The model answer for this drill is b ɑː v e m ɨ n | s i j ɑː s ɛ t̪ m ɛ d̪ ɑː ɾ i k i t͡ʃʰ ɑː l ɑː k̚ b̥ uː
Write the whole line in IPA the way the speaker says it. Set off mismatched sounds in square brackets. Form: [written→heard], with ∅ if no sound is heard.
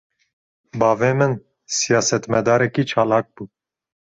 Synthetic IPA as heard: b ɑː v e m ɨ n | s i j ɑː s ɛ t̪ m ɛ d̪ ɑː ɾ [i→ɛ] k i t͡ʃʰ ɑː l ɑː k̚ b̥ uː